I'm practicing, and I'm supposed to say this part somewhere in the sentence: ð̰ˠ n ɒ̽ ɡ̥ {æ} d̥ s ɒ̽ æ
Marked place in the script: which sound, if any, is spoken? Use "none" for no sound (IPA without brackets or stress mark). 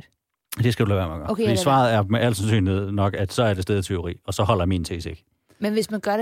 æ